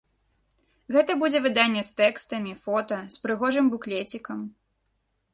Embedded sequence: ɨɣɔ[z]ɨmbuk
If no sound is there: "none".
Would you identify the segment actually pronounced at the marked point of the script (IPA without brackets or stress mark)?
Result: ʐ